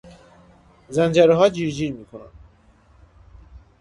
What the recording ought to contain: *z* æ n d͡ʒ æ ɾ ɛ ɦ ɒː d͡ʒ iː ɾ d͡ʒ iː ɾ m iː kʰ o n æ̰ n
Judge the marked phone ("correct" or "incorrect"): correct